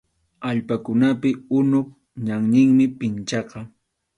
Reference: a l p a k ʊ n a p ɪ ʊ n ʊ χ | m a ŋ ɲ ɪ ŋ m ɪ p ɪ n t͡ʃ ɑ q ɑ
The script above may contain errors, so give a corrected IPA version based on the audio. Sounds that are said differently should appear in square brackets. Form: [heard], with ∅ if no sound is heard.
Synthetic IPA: a [ʎ] p a k ʊ n a p ɪ ʊ n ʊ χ | [ɲ] a ŋ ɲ ɪ ŋ m ɪ p ɪ n t͡ʃ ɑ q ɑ